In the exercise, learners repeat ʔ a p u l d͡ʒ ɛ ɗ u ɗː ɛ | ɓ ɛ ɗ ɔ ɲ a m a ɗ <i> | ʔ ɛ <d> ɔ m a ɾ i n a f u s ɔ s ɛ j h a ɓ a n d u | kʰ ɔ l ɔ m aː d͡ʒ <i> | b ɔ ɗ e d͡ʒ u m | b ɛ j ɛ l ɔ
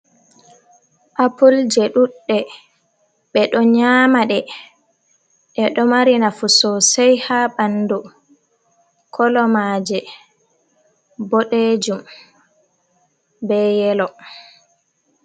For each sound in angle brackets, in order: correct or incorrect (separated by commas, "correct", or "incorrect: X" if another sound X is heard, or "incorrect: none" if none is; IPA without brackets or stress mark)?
incorrect: ɛ, incorrect: ɗ, incorrect: ɛ